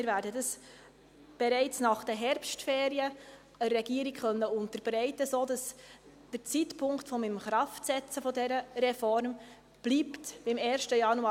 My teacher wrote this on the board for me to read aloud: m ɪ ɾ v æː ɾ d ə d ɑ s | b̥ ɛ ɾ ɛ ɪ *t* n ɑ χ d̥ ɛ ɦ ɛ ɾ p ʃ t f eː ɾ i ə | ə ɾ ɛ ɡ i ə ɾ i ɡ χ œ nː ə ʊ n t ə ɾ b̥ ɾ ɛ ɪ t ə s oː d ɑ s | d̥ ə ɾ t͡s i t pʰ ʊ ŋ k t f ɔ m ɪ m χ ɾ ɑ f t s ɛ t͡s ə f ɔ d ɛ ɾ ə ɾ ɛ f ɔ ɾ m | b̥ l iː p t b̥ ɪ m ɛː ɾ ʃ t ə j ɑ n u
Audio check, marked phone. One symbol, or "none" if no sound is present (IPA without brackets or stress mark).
t͡s